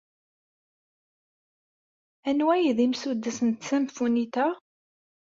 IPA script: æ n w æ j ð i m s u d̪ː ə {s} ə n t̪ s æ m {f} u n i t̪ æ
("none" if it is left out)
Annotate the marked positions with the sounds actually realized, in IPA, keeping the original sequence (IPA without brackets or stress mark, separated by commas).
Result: s, f